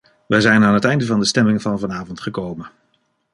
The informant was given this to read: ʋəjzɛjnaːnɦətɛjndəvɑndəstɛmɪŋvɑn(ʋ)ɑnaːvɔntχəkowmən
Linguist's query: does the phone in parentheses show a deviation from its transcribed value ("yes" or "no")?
yes